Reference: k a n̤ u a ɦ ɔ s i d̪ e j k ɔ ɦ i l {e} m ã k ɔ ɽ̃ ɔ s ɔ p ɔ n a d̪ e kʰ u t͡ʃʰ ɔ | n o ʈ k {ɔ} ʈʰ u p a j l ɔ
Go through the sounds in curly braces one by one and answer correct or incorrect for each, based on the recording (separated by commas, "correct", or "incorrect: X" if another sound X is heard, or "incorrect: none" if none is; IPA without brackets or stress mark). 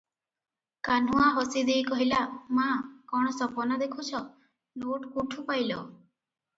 incorrect: a, incorrect: u